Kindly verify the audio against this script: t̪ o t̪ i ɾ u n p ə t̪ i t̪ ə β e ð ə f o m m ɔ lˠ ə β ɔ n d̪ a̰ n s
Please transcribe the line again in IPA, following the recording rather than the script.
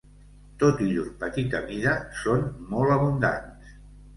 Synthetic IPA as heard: t̪ o t̪ i ʎ u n p ə t̪ i t̪ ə β i ð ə s o n m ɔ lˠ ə β u n d̪ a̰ n s